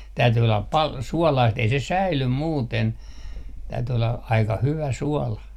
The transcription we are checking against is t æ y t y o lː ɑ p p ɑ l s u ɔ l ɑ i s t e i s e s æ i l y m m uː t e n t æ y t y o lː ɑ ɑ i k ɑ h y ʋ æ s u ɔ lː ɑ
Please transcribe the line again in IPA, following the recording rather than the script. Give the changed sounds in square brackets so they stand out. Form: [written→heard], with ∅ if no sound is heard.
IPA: t æ y t y o lː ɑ p p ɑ l s u ɔ l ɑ i s t e i s e s æ i l y m m uː t e n t æ y t y o lː ɑ ɑ i k ɑ h y ʋ æ s u ɔ [lː→l] ɑ